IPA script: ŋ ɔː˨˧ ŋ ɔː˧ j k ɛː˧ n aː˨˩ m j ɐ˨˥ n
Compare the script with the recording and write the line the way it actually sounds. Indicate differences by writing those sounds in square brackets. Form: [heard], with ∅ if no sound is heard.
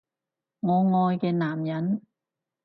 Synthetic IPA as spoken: ŋ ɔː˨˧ ŋ ɔː˧ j k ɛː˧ n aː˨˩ m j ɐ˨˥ n